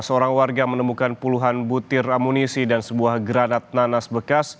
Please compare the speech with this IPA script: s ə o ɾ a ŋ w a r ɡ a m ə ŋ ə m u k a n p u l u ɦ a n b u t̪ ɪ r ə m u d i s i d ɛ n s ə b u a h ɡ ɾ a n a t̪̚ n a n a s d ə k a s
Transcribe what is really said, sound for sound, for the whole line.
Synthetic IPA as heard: s ə o ɾ a ŋ w a r ɡ a m ə n ə m u k a n p u l u ɦ a n b u t̪ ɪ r a m u n i s i d a n s ə b u a h ɡ ɾ a n a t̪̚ n a n a s b ə k a s